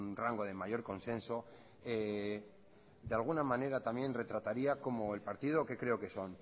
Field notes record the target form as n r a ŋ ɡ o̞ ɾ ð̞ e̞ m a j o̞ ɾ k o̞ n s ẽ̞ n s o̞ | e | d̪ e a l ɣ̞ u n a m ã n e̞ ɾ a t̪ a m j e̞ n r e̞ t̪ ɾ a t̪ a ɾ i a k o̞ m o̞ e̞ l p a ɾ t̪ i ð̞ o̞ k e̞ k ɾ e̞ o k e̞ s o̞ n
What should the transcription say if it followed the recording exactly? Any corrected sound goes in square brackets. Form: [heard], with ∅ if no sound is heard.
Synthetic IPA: n r a ŋ ɡ o̞ [∅] ð̞ e̞ m a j o̞ ɾ k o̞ n s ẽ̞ n s o̞ | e | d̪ e a l ɣ̞ u n a m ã n e̞ ɾ a t̪ a m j e̞ n r e̞ t̪ ɾ a t̪ a ɾ i a k o̞ m o̞ e̞ l p a ɾ t̪ i ð̞ o̞ k e̞ k ɾ e̞ o k e̞ s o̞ n